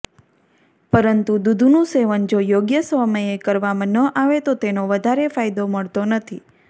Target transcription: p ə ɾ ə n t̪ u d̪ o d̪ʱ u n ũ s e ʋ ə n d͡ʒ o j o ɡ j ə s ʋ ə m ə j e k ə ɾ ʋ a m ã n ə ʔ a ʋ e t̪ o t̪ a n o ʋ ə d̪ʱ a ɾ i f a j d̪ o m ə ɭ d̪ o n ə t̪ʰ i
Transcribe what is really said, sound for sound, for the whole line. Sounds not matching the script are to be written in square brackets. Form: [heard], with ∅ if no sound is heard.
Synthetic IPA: p ə ɾ ə n t̪ u d̪ [u] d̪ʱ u n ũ s e ʋ ə n d͡ʒ o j o ɡ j ə s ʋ ə m ə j e k ə ɾ ʋ a m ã n ə ʔ a ʋ e t̪ o t̪ [e] n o ʋ ə d̪ʱ a ɾ [e] f a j d̪ o m ə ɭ [t̪] o n ə t̪ʰ i